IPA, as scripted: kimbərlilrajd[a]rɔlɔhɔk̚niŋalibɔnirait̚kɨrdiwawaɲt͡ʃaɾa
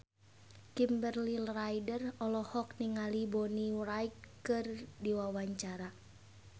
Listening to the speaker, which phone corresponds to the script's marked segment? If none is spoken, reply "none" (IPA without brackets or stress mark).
ə